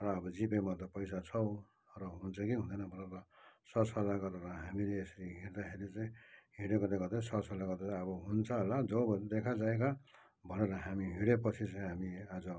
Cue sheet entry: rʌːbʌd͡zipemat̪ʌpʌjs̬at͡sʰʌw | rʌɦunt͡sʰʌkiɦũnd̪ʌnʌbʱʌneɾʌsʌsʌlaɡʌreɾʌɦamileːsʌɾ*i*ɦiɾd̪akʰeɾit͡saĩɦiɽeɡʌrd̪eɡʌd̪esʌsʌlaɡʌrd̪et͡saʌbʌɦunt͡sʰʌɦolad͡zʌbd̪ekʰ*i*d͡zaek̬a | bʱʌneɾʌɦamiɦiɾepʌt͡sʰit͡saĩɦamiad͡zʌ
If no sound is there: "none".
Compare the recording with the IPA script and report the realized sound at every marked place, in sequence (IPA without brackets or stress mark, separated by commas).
i, a